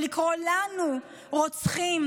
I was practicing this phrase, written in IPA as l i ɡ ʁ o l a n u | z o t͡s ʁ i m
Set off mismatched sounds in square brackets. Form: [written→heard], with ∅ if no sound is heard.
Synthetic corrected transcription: l i [ɡ→k] ʁ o l a n u | [z→ʁ] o t͡s [ʁ→χ] i m